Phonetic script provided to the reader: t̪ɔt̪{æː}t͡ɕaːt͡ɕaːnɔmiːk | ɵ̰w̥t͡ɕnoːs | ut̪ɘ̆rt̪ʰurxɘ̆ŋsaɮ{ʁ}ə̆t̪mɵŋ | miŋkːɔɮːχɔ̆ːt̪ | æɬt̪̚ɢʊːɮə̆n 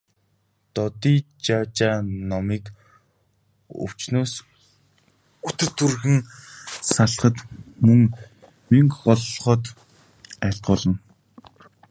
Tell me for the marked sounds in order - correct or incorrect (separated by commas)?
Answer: incorrect, incorrect